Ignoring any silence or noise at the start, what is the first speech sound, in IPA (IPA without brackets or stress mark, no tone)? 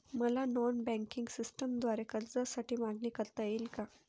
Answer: m